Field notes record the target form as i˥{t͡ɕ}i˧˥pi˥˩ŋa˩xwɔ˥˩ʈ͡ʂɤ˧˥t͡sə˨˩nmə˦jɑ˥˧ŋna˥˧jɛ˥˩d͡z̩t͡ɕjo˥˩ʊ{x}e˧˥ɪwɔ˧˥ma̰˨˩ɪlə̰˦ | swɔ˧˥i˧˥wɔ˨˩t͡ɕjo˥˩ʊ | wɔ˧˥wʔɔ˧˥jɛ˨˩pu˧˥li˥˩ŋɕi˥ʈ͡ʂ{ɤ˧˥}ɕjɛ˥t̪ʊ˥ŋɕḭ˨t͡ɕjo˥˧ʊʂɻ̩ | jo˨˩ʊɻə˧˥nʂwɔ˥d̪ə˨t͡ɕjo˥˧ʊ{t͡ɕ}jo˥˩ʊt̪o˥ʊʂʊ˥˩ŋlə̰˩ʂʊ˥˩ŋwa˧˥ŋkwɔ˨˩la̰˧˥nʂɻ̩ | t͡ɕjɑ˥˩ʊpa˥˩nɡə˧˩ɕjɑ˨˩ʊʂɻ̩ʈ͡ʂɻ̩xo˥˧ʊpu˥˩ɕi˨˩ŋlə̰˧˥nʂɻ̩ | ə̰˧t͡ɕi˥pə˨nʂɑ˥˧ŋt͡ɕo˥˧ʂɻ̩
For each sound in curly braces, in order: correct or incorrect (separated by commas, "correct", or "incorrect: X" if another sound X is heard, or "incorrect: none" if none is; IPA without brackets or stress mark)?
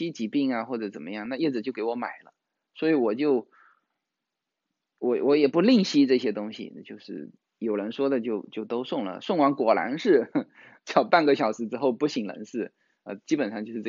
correct, incorrect: k, incorrect: ɤ˥˩, correct